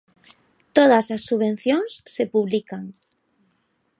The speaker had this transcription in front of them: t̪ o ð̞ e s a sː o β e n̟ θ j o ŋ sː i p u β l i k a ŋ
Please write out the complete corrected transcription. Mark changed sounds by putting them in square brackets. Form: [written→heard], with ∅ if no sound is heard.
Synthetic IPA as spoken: t̪ o ð̞ [e→a] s a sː [o→u] β e n̟ θ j o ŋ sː [i→e] p u β l i k a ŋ